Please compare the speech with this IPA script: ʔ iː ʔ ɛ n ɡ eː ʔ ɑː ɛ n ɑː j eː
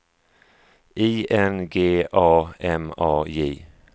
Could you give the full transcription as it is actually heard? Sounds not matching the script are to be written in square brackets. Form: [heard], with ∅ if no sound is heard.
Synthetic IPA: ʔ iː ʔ ɛ n ɡ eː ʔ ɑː ɛ [m] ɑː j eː